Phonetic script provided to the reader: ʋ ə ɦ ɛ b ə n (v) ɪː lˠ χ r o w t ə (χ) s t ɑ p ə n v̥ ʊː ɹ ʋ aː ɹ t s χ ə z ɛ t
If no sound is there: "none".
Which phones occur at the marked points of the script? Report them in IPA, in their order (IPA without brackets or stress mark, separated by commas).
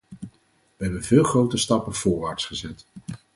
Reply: v, none